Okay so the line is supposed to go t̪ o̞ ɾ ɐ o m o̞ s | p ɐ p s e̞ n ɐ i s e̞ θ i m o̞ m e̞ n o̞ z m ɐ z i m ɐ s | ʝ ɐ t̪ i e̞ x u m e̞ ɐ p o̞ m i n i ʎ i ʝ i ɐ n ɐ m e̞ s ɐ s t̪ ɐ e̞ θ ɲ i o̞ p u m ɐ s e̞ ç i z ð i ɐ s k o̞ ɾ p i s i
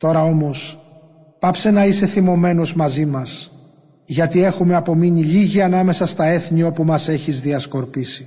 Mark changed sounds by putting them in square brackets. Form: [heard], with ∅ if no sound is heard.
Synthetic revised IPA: t̪ o̞ ɾ ɐ o m o̞ s | p ɐ p s e̞ n ɐ i s e̞ θ i m o̞ m e̞ n o̞ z m ɐ z i m ɐ s | ʝ ɐ t̪ i e̞ x u m e̞ ɐ p o̞ m i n i ʎ i ʝ i ɐ n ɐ m e̞ s ɐ s t̪ ɐ e̞ θ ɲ i o̞ p u m ɐ s e̞ ç i z ð i ɐ s k o̞ ɾ p i s i